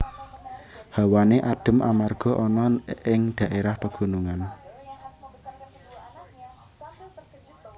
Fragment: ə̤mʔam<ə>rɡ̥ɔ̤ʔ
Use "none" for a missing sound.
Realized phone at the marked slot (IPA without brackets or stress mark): a